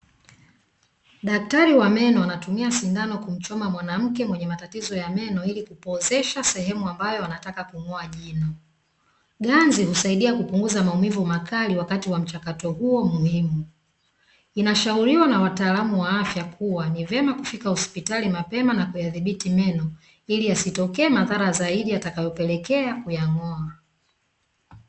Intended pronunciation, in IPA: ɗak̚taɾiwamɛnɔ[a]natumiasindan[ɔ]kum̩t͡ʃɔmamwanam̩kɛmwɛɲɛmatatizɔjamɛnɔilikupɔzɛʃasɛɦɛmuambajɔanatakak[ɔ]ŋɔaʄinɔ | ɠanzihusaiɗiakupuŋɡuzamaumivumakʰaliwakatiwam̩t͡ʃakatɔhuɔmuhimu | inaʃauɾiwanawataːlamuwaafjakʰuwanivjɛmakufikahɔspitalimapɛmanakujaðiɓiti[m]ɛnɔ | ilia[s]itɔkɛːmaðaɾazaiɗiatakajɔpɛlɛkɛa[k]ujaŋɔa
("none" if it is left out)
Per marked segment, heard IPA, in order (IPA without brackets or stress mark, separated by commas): a, ɔ, u, m, s, k